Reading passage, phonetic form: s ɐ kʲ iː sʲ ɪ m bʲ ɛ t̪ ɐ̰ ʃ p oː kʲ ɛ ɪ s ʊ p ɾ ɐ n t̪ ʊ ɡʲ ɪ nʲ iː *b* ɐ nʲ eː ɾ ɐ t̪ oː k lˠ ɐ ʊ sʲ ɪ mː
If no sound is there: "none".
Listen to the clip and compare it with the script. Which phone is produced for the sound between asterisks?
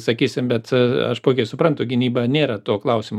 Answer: b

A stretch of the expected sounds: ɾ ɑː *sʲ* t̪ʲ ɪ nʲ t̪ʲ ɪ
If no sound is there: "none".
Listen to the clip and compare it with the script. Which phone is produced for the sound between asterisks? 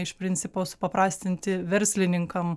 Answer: sʲ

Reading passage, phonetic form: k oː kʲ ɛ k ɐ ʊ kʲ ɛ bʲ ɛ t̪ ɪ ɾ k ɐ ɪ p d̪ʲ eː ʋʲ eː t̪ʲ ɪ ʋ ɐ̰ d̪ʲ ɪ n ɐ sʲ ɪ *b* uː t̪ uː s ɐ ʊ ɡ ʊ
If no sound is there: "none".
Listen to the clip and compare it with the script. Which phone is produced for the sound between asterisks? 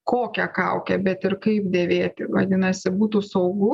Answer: b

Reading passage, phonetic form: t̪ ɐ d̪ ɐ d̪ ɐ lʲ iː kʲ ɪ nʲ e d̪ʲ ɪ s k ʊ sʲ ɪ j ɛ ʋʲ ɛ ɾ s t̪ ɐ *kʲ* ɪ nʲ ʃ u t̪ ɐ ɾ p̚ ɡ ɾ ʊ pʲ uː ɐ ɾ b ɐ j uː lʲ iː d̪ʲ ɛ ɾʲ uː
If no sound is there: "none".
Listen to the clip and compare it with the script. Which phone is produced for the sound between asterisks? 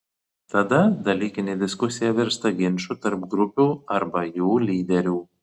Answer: ɡʲ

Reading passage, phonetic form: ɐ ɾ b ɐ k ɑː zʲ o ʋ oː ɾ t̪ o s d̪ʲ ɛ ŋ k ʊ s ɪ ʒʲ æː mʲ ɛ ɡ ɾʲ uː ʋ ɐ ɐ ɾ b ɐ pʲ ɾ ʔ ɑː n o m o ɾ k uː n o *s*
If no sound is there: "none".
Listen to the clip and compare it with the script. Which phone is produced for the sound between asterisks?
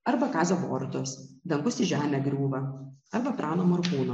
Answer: none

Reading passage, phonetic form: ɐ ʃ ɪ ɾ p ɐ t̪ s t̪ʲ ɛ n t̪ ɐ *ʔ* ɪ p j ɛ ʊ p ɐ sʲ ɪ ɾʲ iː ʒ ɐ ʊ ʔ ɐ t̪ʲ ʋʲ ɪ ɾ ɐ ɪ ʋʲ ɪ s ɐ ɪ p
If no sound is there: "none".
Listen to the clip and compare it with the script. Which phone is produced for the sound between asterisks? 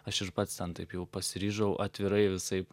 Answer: none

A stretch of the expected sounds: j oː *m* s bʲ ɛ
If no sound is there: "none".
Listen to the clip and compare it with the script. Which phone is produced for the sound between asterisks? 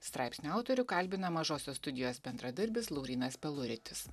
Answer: none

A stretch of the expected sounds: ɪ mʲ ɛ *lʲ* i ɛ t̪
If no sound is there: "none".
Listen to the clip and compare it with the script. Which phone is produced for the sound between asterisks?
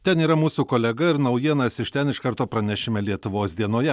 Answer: lʲ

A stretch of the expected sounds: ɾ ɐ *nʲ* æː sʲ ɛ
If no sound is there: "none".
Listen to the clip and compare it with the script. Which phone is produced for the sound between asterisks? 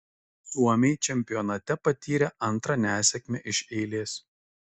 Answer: nʲ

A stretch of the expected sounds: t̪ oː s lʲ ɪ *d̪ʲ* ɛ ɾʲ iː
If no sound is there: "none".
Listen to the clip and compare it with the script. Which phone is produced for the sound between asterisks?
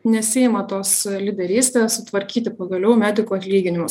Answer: d̪ʲ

